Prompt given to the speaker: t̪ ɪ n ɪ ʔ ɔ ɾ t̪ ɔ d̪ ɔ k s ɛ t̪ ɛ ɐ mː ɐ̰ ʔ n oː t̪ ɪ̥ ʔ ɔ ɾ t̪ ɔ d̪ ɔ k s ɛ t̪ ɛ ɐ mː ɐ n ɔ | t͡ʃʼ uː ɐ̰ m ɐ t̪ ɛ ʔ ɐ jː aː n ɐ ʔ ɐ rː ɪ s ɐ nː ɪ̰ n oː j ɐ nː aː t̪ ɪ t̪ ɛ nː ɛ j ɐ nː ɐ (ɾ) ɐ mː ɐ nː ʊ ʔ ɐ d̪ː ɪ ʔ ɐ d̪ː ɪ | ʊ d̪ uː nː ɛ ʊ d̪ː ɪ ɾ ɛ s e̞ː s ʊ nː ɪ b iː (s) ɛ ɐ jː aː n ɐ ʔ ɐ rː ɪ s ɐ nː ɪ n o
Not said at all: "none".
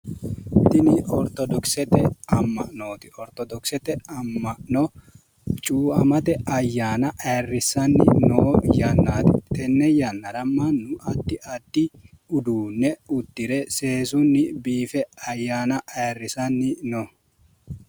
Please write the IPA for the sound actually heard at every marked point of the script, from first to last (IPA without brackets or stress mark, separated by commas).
ɾ, f